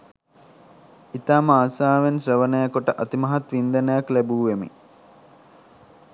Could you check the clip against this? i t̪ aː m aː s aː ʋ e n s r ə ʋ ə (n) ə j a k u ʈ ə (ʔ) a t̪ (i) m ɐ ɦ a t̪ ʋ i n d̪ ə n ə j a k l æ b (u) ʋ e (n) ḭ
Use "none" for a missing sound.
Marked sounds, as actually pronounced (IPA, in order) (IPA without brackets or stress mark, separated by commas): n, ʔ, i, uː, m